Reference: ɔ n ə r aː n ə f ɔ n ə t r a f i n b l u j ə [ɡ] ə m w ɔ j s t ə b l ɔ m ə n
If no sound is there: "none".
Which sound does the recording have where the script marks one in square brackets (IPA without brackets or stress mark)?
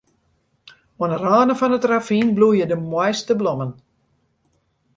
d